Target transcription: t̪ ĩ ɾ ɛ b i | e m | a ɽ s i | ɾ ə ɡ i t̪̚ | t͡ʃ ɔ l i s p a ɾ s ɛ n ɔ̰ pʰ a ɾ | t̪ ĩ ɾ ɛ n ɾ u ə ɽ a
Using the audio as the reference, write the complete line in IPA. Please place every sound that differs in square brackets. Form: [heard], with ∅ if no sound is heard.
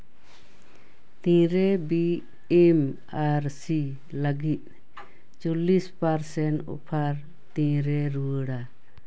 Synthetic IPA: t̪ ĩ ɾ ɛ b i | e m | a [ɾ] s i | [l] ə ɡ i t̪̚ | t͡ʃ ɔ l i s p a ɾ s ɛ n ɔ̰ pʰ a ɾ | t̪ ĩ ɾ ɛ [∅] ɾ u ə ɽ a

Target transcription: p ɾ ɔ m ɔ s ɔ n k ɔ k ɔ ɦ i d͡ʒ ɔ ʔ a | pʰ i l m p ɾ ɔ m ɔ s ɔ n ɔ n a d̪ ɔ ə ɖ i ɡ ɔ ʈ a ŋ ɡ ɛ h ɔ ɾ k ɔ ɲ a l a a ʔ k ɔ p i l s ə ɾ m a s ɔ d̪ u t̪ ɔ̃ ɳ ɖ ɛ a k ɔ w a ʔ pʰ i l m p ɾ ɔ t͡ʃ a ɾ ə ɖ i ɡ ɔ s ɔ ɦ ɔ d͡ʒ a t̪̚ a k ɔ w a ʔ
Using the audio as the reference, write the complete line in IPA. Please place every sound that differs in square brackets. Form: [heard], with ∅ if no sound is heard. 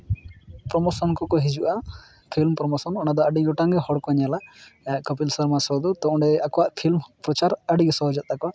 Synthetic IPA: p ɾ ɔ m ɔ s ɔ n k ɔ k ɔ ɦ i d͡ʒ [u] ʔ a | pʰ i l m p ɾ ɔ m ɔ s ɔ n ɔ n a d̪ ɔ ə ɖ i ɡ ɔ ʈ a ŋ ɡ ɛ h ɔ [ɽ] k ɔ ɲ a l a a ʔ k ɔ p i l s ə ɾ m a s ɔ d̪ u t̪ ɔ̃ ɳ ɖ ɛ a k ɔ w a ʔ pʰ i l m p ɾ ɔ t͡ʃ a ɾ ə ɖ i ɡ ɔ s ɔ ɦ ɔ d͡ʒ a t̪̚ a k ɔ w a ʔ

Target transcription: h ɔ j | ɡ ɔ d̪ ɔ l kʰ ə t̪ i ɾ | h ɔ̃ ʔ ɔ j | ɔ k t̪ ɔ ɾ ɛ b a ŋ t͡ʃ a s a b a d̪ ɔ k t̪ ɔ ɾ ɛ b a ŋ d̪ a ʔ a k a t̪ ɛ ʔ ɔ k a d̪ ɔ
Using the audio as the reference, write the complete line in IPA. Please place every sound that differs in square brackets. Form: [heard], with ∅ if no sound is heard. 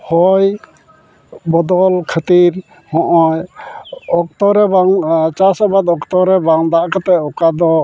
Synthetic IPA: h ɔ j | [b] ɔ d̪ ɔ l kʰ ə t̪ i ɾ | h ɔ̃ ʔ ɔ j | ɔ k t̪ ɔ ɾ ɛ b a ŋ t͡ʃ a s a b a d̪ ɔ k t̪ ɔ ɾ ɛ b a ŋ d̪ a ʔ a k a t̪ ɛ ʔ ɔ k a d̪ ɔ

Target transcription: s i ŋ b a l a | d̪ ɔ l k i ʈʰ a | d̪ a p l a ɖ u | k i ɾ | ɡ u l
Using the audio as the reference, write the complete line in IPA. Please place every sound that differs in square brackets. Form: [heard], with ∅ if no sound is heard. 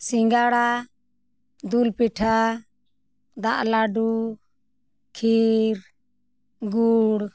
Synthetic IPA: s i ŋ [ɡ] a [ɽ] a | d̪ [u] l [p] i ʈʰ a | d̪ a [ʔ] l a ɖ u | [kʰ] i ɾ | ɡ u [ɽ]

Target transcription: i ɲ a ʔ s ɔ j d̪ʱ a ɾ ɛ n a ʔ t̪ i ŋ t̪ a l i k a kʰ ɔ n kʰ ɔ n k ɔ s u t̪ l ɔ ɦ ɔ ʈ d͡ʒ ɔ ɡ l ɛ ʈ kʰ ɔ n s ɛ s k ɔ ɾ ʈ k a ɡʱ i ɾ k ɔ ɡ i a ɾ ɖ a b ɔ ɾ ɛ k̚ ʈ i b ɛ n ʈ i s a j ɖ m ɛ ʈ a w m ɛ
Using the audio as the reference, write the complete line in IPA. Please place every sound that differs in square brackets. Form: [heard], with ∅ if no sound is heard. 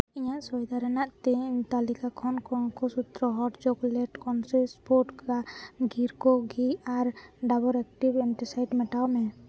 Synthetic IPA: i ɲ a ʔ s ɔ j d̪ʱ a ɾ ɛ n a ʔ t̪ i [ɲ] t̪ a l i k a kʰ ɔ n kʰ ɔ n k ɔ s u t̪ [ɾ] ɔ ɦ ɔ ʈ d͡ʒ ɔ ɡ l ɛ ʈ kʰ ɔ n s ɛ s [p] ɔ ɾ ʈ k a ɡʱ i ɾ k ɔ ɡ i a ɾ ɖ a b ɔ ɾ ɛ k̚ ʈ i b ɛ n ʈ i s a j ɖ m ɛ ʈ a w m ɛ

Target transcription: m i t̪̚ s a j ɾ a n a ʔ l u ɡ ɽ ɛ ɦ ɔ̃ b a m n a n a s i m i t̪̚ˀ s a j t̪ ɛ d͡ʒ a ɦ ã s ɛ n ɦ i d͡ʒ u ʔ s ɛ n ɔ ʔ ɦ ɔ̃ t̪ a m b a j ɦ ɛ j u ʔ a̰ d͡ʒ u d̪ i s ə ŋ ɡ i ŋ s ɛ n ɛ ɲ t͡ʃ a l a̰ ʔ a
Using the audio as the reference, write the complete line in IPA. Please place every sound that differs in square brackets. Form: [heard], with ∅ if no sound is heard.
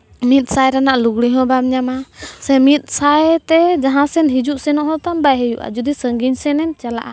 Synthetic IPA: m i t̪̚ s a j ɾ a n a ʔ l u ɡ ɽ [i] ɦ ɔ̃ b a m [ɲ] a [m] a s [ɛ] m i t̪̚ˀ s a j t̪ ɛ d͡ʒ a ɦ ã s ɛ n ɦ i d͡ʒ u ʔ s ɛ n ɔ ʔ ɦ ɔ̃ t̪ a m b a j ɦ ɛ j u ʔ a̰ d͡ʒ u d̪ i s ə ŋ ɡ i [ɲ] s ɛ n ɛ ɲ t͡ʃ a l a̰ ʔ a

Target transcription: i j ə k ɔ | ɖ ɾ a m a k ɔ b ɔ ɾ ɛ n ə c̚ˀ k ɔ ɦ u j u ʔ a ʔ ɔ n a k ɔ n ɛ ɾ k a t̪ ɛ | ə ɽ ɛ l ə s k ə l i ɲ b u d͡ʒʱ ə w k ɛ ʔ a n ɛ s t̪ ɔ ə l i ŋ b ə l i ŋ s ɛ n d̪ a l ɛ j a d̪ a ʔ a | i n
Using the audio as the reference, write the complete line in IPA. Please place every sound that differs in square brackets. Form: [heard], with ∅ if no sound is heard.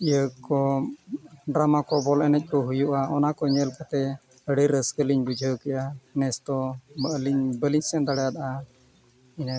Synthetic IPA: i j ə k ɔ | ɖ ɾ a m a k ɔ b ɔ [l] ɛ n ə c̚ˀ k ɔ ɦ u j u ʔ a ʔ ɔ n a k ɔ [ɲ] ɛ [l] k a t̪ ɛ | ə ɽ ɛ [ɾ] ə s k ə l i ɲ b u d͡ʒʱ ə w k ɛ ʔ a n ɛ s t̪ ɔ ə l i [ɲ] b ə l i [ɲ] s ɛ n d̪ a [ɽ] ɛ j a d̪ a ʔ a | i n

